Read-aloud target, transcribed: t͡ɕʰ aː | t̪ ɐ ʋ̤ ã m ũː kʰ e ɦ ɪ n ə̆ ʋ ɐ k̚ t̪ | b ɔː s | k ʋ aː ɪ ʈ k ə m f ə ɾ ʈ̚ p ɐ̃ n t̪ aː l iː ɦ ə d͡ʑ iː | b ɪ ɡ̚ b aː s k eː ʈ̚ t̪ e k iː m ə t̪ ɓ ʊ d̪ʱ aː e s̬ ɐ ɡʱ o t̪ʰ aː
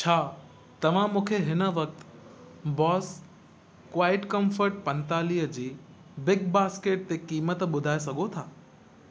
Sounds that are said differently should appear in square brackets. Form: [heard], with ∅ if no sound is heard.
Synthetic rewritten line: t͡ɕʰ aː | t̪ ɐ ʋ̤ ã m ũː kʰ e ɦ ɪ n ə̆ ʋ ɐ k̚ t̪ | b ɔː s | k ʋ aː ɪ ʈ k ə m f ə ɾ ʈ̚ p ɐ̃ n t̪ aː l iː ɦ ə d͡ʑ iː | b ɪ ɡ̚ b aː s k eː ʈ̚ t̪ e k iː m ə t̪ ɓ ʊ d̪ʱ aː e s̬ ɐ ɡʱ o t̪ʰ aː

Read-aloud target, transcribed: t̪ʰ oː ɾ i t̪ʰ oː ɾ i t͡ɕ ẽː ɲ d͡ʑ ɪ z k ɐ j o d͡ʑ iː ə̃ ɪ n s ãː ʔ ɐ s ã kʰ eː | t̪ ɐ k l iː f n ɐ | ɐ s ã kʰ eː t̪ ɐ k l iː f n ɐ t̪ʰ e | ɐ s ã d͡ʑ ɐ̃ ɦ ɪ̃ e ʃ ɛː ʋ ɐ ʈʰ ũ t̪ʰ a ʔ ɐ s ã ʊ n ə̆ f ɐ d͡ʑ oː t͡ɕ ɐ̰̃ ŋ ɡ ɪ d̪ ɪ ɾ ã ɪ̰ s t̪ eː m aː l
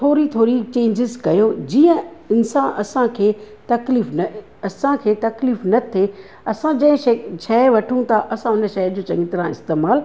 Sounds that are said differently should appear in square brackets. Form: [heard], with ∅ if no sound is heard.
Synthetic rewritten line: t̪ʰ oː ɾ i t̪ʰ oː ɾ i t͡ɕ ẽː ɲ d͡ʑ ɪ z k ɐ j o d͡ʑ iː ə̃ ɪ n s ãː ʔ ɐ s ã kʰ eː | t̪ ɐ k l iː f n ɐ | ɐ s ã kʰ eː t̪ ɐ k l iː f n ɐ t̪ʰ e | ɐ s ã d͡ʑ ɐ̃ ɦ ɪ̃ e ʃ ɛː ʋ ɐ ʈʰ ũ t̪ʰ a ʔ ɐ s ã ʊ n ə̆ [ʃ] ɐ d͡ʑ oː t͡ɕ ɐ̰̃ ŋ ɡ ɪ [t̪] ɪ ɾ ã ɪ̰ s t̪ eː m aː l

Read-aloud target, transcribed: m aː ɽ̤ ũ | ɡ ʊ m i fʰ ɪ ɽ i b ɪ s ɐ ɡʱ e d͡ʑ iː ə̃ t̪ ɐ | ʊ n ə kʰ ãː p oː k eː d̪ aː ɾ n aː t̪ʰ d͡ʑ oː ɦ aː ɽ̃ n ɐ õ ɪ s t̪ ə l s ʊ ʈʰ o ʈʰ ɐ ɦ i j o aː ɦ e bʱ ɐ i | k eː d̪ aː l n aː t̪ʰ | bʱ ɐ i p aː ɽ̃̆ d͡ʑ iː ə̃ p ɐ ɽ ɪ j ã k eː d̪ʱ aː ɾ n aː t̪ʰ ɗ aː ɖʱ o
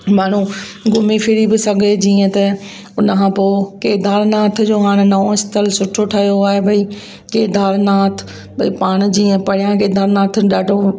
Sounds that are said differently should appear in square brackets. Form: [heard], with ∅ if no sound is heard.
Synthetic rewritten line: m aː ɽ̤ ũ | ɡ ʊ m i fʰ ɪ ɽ i b ɪ s ɐ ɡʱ e d͡ʑ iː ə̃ t̪ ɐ | ʊ n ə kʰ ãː p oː k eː d̪ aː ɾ n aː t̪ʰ d͡ʑ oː ɦ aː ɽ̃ n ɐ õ ɪ s t̪ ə l s ʊ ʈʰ o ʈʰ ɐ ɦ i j o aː ɦ e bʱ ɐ i | k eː d̪ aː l n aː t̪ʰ | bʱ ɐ i p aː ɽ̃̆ d͡ʑ iː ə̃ p ɐ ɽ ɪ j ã k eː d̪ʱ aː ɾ n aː t̪ʰ ɗ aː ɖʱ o

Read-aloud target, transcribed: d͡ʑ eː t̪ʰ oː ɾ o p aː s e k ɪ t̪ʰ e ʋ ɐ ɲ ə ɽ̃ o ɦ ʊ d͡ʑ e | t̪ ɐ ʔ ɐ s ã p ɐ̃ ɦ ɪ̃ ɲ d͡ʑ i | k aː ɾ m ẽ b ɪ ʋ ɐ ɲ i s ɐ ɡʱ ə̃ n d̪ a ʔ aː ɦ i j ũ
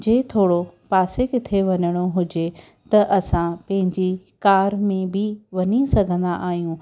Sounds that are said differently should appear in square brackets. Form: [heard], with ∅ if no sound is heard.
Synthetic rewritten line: d͡ʑ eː t̪ʰ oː [ɽ] o p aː s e k ɪ t̪ʰ e ʋ ɐ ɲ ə ɽ̃ o ɦ ʊ d͡ʑ e | t̪ ɐ ʔ ɐ s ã p ɐ̃ ɦ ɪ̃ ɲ d͡ʑ i | k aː ɾ m ẽ b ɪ ʋ ɐ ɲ i s ɐ ɡʱ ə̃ n d̪ a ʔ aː ɦ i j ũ

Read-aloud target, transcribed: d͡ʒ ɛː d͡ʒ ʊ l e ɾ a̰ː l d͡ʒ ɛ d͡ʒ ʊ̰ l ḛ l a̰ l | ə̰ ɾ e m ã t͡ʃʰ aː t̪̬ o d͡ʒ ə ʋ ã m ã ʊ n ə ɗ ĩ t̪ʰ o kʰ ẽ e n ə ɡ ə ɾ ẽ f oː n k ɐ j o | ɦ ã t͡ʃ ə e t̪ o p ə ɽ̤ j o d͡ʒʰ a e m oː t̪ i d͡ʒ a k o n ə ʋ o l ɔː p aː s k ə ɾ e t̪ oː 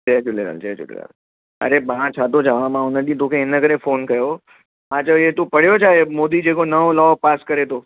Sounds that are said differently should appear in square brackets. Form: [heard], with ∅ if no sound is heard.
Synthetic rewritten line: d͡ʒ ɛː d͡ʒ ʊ l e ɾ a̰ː l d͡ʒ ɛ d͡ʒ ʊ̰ l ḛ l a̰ l | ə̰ ɾ e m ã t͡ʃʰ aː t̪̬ o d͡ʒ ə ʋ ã m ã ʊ n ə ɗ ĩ [t̪] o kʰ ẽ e n ə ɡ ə ɾ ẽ f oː n k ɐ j o | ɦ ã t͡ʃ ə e t̪ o p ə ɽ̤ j o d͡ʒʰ a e m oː [d̪] i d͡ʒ [e] k o n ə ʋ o l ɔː p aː s k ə ɾ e t̪ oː

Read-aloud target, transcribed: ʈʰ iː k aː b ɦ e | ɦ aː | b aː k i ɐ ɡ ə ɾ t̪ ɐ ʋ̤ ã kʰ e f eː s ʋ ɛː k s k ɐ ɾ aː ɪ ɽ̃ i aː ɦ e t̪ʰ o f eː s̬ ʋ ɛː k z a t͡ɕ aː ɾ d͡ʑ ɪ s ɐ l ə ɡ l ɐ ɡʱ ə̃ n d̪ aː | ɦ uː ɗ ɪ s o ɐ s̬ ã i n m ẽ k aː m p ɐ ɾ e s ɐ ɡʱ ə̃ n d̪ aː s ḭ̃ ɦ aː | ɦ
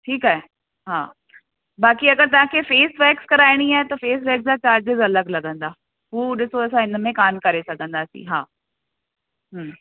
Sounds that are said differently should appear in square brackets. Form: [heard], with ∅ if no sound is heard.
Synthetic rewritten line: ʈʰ iː k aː [∅] ɦ e | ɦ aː | b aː k i ɐ ɡ ə ɾ t̪ ɐ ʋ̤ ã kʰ e f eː s ʋ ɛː k s k ɐ ɾ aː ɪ ɽ̃ i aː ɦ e [t̪] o f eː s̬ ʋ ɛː k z a t͡ɕ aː ɾ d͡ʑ ɪ [z] ɐ l ə ɡ l ɐ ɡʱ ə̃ n d̪ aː | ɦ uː ɗ ɪ s o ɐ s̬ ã [ɪ] n m ẽ k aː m [k] ɐ ɾ e s ɐ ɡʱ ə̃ n d̪ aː s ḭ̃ ɦ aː | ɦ

